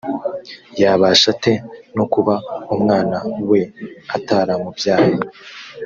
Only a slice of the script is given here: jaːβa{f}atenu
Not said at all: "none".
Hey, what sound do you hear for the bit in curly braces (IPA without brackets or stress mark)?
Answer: ʃ